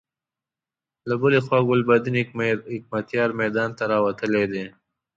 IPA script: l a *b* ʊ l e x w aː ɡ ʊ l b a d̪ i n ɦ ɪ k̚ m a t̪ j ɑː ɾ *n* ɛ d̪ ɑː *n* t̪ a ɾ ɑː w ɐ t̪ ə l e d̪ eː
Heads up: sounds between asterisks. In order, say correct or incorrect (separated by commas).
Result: correct, incorrect, correct